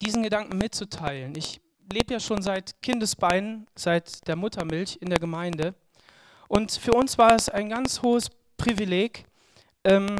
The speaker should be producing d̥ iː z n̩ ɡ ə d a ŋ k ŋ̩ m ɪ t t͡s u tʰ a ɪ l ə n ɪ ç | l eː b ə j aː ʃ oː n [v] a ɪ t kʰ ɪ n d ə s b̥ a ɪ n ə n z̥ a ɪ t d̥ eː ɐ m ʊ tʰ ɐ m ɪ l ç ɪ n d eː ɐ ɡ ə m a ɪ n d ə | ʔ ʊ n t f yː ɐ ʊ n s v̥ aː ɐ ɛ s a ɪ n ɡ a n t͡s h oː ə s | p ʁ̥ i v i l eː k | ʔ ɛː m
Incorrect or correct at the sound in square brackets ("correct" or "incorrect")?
incorrect